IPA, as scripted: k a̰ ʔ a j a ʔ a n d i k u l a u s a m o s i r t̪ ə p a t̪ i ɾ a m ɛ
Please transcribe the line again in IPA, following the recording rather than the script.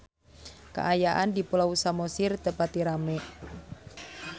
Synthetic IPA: k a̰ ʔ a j a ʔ a n d i p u l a u s a m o s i r t̪ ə p a t̪ i ɾ a m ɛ